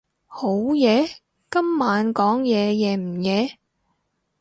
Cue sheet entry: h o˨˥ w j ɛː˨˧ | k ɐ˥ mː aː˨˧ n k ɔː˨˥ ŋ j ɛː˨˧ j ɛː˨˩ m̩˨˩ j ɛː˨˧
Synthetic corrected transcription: h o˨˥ w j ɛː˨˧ | k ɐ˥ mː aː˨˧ n k ɔː˨˥ ŋ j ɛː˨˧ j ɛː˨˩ m̩˨˩ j ɛː˨˧